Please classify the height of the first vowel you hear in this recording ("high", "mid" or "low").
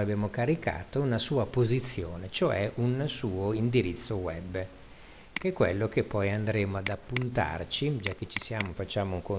low